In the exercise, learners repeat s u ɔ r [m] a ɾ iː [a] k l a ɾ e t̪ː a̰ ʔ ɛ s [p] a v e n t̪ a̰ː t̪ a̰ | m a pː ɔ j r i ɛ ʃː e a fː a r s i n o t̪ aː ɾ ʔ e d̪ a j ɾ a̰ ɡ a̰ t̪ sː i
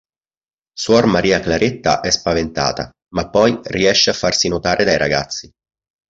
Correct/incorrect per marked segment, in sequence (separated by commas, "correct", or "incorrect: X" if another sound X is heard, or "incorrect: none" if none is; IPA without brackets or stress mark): correct, correct, correct